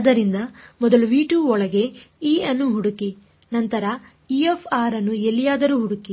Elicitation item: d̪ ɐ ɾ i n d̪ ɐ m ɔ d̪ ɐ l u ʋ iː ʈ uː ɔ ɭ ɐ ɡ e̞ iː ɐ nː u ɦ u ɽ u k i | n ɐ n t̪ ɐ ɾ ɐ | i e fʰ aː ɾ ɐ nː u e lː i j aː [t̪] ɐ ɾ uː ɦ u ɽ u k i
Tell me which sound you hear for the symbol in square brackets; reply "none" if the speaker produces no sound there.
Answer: d̪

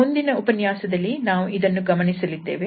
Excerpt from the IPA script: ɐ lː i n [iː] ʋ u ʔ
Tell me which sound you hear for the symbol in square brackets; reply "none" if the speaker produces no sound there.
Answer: aː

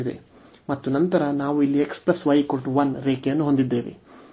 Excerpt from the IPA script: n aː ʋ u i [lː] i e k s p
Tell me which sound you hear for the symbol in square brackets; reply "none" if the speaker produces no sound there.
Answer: lː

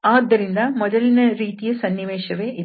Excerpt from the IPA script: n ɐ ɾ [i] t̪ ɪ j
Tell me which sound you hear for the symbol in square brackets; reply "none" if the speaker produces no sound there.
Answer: iː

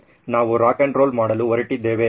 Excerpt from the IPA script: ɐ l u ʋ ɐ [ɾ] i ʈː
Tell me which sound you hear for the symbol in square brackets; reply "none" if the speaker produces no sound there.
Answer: ɾ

